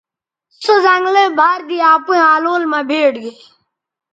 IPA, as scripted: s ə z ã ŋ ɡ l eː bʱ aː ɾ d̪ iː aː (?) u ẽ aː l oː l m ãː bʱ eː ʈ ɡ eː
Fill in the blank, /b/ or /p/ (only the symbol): p